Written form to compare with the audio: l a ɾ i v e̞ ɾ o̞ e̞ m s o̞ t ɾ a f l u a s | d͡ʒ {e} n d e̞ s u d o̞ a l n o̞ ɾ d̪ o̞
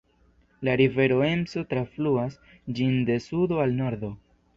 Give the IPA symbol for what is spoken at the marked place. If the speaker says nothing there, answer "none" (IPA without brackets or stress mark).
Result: i